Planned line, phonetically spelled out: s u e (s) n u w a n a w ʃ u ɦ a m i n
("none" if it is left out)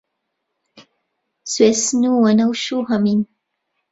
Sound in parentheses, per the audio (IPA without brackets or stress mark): s